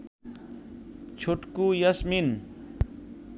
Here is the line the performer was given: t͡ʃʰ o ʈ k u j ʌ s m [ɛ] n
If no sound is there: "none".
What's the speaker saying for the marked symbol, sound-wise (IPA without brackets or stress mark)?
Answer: i